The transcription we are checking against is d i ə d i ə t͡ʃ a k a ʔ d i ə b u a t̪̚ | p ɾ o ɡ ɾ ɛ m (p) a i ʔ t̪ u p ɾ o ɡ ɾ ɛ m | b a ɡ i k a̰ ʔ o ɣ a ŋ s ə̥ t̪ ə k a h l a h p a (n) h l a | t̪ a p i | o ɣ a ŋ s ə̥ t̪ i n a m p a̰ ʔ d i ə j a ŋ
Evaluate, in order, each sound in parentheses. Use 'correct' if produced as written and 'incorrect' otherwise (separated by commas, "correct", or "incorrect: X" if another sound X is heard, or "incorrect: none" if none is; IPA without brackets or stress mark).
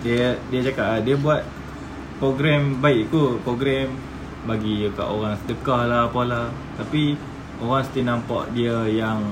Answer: incorrect: b, incorrect: none